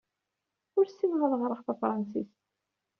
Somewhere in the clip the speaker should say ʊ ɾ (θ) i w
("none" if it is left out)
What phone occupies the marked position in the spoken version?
s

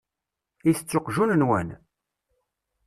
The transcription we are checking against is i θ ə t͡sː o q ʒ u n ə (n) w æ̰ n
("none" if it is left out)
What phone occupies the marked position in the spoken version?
n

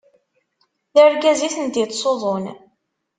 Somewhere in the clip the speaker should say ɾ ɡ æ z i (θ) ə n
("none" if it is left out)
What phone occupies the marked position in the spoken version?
θ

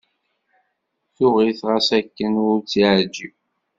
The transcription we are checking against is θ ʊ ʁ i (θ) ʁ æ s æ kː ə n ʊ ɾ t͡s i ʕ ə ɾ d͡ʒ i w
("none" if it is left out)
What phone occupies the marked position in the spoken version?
θ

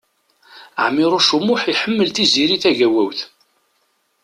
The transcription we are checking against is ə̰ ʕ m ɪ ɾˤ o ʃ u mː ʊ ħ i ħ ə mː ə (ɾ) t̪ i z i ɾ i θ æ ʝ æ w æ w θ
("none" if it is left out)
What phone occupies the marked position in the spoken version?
l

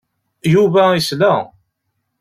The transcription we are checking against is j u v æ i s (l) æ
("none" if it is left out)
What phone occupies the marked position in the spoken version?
l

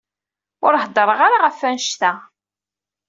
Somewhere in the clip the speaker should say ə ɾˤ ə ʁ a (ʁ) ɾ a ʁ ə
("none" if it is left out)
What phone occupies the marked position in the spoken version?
none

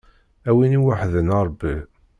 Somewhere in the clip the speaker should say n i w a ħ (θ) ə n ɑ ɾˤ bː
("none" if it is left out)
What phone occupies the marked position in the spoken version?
ð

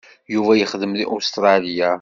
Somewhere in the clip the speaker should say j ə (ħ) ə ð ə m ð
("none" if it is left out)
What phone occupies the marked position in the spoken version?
χ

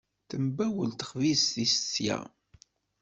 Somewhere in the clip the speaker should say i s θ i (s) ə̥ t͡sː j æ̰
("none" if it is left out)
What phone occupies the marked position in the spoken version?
s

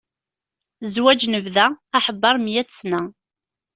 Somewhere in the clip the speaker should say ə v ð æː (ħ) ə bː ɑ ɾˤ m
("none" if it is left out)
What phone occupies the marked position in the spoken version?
ħ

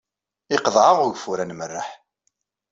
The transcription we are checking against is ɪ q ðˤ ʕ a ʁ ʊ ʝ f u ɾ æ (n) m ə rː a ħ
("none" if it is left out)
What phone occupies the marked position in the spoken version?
n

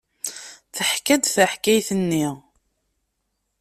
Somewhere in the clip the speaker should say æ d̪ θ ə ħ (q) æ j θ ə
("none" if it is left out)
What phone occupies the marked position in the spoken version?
k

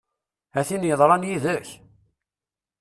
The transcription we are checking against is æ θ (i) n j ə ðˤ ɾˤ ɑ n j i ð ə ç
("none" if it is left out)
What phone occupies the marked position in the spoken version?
i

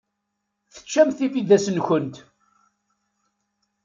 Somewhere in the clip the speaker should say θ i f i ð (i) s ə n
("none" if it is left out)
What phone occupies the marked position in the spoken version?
æ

